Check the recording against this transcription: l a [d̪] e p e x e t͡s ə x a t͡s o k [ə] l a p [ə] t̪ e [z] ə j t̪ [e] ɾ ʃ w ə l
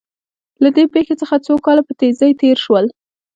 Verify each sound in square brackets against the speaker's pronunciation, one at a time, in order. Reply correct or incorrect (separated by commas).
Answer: correct, incorrect, correct, correct, correct